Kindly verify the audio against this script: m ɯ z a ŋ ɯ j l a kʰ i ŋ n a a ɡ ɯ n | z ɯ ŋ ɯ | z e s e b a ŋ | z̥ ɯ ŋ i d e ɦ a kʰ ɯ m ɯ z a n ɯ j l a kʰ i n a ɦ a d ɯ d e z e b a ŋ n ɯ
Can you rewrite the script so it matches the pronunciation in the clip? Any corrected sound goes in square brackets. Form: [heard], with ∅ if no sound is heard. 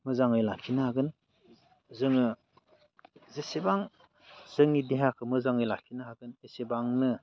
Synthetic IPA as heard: m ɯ z a ŋ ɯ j l a kʰ i [∅] n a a ɡ ɯ n | z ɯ ŋ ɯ | z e s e b a ŋ | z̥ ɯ ŋ i d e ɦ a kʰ ɯ m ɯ z a [ŋ] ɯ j l a kʰ i n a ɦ a [ɡ] ɯ [n] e [s] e b a ŋ n ɯ